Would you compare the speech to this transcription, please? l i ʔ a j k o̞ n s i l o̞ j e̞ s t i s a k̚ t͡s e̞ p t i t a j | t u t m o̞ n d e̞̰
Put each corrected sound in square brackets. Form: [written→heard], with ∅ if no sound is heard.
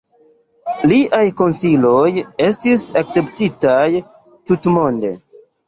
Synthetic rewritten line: l i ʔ a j k o̞ n s i l o̞ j e̞ s t i s a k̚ t͡s e̞ p t i t a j | t u t m o̞ n d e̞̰